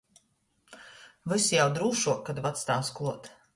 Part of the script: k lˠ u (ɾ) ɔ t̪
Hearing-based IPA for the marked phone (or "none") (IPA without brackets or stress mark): none